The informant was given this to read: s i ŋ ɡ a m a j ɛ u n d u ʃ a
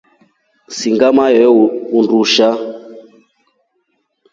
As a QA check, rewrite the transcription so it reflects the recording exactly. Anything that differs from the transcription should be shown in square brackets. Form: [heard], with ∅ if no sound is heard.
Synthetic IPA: s i ŋ ɡ a m a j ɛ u n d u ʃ a